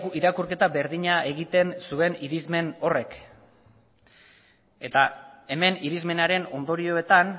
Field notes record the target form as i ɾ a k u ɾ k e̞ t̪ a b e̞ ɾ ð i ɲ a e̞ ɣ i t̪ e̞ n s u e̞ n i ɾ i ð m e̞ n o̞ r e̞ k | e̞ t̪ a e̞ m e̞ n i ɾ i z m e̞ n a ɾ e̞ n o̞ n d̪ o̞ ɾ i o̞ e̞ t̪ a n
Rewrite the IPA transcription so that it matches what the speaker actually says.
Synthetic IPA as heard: i ɾ a k u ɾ k e̞ t̪ a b e̞ ɾ ð i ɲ a e̞ ɣ i t̪ e̞ n s u e̞ n i ɾ i z m e̞ n o̞ r e̞ k | e̞ t̪ a e̞ m e̞ n i ɾ i z m e̞ n a ɾ e̞ n o̞ n d̪ o̞ ɾ i o̞ e̞ t̪ a n

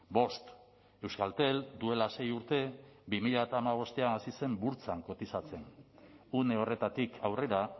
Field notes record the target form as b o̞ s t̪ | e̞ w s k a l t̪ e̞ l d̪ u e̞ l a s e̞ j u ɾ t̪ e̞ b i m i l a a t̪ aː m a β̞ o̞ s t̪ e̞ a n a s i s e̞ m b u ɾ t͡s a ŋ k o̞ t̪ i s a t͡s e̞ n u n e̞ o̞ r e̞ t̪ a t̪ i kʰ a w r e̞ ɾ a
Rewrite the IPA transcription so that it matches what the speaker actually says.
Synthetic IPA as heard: b o̞ s t̪ | e̞ w s k a l t̪ e̞ l d̪ u e̞ l a s e̞ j u ɾ t̪ e̞ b i m i ʎ a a t̪ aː m a β̞ o̞ s t̪ e̞ a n a s i s e̞ m b u ɾ t͡s a ŋ k o̞ t̪ i s a t͡s e̞ n u n e̞ o̞ r e̞ t̪ a t̪ i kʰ a w r e̞ ɾ a

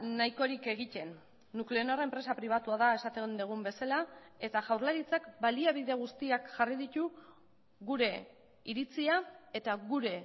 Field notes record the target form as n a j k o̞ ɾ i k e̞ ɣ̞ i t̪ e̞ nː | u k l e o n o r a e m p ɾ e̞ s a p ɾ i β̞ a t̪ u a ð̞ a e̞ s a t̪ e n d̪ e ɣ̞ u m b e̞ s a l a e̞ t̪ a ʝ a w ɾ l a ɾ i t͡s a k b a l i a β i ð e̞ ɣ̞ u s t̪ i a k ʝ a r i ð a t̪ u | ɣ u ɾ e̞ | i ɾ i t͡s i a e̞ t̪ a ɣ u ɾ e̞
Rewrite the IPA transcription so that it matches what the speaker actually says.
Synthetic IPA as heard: n a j k o̞ ɾ i k e̞ ɣ̞ i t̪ e̞ nː | u k l e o n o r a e m p ɾ e̞ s a p ɾ i β̞ a t̪ u a ð̞ a e̞ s a t̪ e n d̪ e ɣ̞ u m b e̞ s a l a e̞ t̪ a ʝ a w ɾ l a ɾ i t͡s a k b a l i a β i ð e̞ ɣ̞ u s t̪ i a k ʝ a r i ð i t̪ u | ɣ u ɾ e̞ | i ɾ i t͡s i a e̞ t̪ a ɣ u ɾ e̞

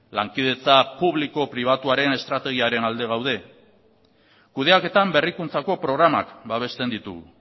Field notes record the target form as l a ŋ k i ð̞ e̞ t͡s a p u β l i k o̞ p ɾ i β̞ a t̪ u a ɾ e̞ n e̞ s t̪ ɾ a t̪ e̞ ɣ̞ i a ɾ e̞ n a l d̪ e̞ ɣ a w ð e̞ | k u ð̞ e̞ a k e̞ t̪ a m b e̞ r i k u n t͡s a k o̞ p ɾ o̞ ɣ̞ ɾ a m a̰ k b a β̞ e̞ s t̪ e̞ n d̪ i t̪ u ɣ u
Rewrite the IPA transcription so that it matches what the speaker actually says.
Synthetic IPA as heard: l a ŋ k i ð̞ e̞ t͡s a p u β l i k o̞ p ɾ i β̞ a t̪ u a ɾ e̞ n e̞ s t̪ ɾ a t̪ e̞ ɣ̞ i a ɾ e̞ n a l d̪ e̞ ɣ a w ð e̞ | k u ð̞ e̞ a k e̞ t̪ a m b e̞ r i k u n t͡s a k o̞ p ɾ o̞ ɣ̞ ɾ a m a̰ k b a β̞ e̞ s t̪ e̞ n d̪ i t̪ u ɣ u

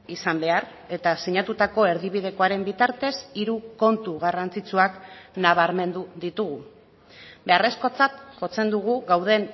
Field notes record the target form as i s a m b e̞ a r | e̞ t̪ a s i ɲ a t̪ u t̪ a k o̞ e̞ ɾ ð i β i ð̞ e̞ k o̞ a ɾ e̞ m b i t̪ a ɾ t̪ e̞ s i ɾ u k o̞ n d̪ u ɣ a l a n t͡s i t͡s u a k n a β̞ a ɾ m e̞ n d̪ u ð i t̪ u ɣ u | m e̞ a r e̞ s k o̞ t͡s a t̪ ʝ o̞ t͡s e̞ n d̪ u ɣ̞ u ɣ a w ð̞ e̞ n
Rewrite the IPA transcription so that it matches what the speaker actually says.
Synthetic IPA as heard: i s a m b e̞ a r | e̞ t̪ a s i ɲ a t̪ u t̪ a k o̞ e̞ ɾ ð i β i ð̞ e̞ k o̞ a ɾ e̞ m b i t̪ a ɾ t̪ e̞ s i ɾ u k o̞ n t̪ u ɣ a r a n t͡s i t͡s u a k n a β̞ a ɾ m e̞ n d̪ u ð i t̪ u ɣ u | b e̞ a r e̞ s k o̞ t͡s a t̪ ʝ o̞ t͡s e̞ n d̪ u ɣ̞ u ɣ a w ð̞ e̞ n

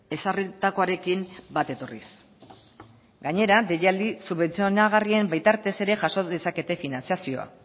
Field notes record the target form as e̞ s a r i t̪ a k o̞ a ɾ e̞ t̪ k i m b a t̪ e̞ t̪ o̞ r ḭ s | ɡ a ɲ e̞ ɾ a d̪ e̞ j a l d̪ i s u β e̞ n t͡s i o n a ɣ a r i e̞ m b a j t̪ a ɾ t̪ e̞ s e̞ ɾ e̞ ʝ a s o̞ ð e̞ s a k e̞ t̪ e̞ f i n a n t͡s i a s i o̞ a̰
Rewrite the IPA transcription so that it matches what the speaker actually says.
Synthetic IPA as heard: e̞ s a r i t̪ a k o̞ a ɾ e̞ k i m b a t̪ e̞ t̪ o̞ r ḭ s | ɡ a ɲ e̞ ɾ a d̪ e̞ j a l d̪ i s u β e̞ n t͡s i o n a ɣ a r i e̞ m b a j t̪ a ɾ t̪ e̞ s e̞ ɾ e̞ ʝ a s o̞ ð e̞ s a k e̞ t̪ e̞ f i n a n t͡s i a s i o̞ a̰

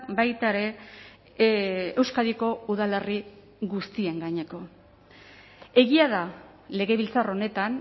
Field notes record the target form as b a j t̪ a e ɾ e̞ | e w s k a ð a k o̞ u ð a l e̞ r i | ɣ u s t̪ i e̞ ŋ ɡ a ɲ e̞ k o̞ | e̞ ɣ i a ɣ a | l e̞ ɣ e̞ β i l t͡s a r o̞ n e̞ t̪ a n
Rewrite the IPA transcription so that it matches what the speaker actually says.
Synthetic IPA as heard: b a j t̪ a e ɾ e̞ | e w s k a ð i k o̞ u ð a l e̞ r i | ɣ u s t̪ i e̞ ŋ ɡ a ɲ e̞ k o̞ | e̞ ɣ i a ð a | l e̞ ɣ e̞ β i l t͡s a r o̞ n e̞ t̪ a n

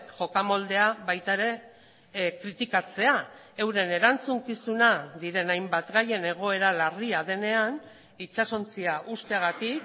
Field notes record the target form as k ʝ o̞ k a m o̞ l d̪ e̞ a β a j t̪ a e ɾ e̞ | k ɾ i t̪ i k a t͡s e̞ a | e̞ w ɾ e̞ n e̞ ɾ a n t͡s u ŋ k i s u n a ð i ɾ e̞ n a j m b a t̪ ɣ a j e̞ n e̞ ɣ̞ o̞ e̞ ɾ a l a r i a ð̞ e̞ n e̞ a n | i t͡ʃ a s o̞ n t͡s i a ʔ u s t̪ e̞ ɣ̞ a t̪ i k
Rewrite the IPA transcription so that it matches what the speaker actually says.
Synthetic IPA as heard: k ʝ o̞ k a m o̞ l d̪ e̞ a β a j t̪ a e ɾ e̞ | k ɾ i t̪ i k a t͡s e̞ a | e̞ w ɾ e̞ n e̞ ɾ a n t͡s u ŋ k i s u n a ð i ɾ e̞ n a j m b a t̪ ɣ a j e̞ n e̞ ɣ̞ o̞ e̞ ɾ a l a r i a ð̞ e̞ n e̞ a n | i t͡ʃ a s o̞ n t͡s i a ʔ u s t̪ e̞ ɣ̞ a t̪ i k

